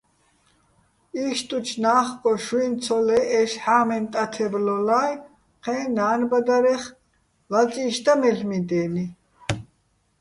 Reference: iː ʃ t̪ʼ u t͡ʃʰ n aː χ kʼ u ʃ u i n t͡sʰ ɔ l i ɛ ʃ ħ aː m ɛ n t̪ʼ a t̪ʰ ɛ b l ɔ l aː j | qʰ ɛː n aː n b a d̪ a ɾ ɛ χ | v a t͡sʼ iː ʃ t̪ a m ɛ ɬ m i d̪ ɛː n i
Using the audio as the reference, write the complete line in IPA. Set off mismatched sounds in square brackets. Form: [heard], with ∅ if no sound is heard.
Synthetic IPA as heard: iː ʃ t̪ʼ u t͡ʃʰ n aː χ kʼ [ɔ] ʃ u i n t͡sʰ ɔ l [ɛ] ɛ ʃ ħ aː m ɛ n t̪ʼ a t̪ʰ ɛ b l ɔ l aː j | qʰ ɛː n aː n b a d̪ a ɾ ɛ χ | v a t͡sʼ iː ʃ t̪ a m ɛ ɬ m i d̪ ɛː n i